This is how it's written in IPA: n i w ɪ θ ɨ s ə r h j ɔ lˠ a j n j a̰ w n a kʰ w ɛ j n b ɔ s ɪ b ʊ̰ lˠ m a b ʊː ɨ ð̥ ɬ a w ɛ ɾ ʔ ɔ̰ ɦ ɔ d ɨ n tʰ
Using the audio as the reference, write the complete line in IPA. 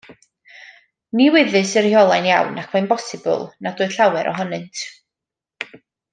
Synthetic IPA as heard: n i w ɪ ð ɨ s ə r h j ɔ lˠ a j n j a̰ w n a kʰ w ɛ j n b ɔ s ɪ b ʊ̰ lˠ n a d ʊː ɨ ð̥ ɬ a w ɛ ɾ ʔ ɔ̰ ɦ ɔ n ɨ n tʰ